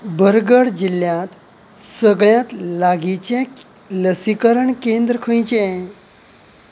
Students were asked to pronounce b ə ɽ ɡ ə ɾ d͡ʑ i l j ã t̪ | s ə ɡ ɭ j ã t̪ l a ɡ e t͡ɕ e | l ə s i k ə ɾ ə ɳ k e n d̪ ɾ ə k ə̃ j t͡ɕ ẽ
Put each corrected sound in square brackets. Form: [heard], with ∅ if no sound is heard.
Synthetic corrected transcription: b ə [ɾ] ɡ ə [ɽ] d͡ʑ i l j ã t̪ | s ə ɡ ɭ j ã t̪ l a ɡ [i] t͡ɕ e | l ə s i k ə ɾ ə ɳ k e n d̪ ɾ ə [kʰ] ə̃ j t͡ɕ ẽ

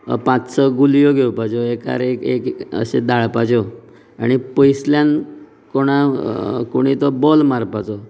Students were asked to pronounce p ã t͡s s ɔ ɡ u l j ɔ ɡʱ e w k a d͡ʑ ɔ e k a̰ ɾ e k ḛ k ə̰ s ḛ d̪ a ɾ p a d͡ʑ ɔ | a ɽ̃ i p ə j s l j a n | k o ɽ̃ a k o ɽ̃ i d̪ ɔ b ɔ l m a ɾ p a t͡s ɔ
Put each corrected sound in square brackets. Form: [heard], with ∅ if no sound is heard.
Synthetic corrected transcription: p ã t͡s s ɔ ɡ u l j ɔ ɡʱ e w [p] a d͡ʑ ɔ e k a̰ ɾ e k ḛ k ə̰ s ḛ d̪ a [ɭ] p a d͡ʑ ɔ | a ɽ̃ i p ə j s l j a n | k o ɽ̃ a k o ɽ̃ i [t̪] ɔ b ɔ l m a ɾ p a t͡s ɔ

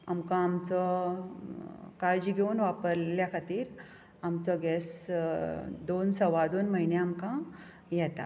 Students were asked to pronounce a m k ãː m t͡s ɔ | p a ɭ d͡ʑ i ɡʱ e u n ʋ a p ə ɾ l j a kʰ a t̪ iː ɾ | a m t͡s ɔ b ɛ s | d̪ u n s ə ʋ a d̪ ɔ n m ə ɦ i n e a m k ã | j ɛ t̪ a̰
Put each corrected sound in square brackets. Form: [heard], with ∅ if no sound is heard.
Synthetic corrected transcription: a m k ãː m t͡s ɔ | [k] a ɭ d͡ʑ i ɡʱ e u n ʋ a p ə ɾ l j a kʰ a t̪ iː ɾ | a m t͡s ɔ [ɡ] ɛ s | d̪ [o] n s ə ʋ a d̪ [o] n m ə ɦ i n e a m k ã | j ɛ t̪ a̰

